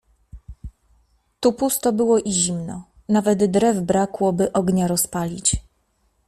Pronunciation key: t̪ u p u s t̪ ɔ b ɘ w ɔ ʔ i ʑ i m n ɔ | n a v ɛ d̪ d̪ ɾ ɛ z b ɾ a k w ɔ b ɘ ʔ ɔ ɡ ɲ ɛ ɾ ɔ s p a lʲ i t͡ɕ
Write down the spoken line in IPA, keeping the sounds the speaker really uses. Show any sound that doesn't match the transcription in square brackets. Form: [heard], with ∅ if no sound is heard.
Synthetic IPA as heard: t̪ u p u s t̪ ɔ b ɘ w ɔ ʔ i ʑ i m n ɔ | n a v ɛ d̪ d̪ ɾ ɛ [v] b ɾ a k w ɔ b ɘ ʔ ɔ ɡ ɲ [a] ɾ ɔ s p a lʲ i t͡ɕ